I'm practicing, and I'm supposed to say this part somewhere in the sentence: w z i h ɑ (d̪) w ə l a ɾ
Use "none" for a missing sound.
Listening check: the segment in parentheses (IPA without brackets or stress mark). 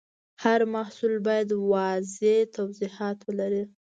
t̪